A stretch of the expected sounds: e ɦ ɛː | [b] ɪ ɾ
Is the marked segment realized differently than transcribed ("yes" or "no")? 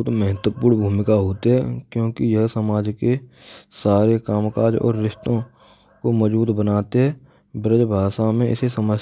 no